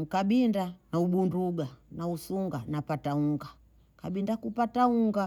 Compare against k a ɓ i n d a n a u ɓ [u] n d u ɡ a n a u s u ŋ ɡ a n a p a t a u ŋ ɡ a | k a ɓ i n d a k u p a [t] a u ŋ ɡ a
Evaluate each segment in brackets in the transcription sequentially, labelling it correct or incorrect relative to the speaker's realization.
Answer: correct, correct

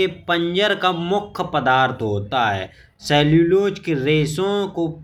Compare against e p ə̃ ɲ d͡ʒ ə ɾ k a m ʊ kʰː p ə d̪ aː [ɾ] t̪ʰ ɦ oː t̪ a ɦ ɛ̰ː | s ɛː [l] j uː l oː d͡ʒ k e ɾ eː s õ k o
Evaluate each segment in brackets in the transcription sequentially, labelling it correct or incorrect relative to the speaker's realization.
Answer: correct, correct

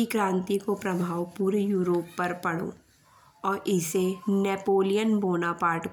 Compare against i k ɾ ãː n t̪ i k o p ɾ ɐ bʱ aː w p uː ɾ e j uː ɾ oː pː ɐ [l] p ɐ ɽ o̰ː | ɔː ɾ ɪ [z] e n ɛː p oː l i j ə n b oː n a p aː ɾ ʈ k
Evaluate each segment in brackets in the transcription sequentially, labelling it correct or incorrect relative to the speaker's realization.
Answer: incorrect: ɾ, incorrect: s

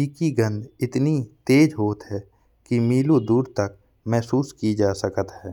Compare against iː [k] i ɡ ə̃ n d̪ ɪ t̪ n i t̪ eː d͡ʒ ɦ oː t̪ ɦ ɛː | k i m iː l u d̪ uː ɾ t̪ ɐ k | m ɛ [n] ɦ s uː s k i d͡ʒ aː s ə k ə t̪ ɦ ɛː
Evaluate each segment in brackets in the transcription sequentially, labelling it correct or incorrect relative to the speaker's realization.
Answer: correct, incorrect: none

